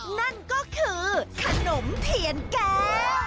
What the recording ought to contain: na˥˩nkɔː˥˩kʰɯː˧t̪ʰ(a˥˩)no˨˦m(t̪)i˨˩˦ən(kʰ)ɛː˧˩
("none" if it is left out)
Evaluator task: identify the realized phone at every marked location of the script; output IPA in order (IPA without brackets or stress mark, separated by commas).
a˧, t̪ʰ, k